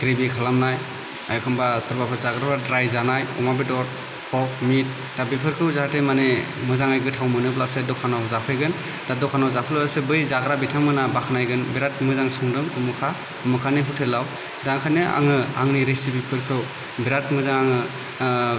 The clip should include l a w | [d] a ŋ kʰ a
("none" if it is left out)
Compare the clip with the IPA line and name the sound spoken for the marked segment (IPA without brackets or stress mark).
d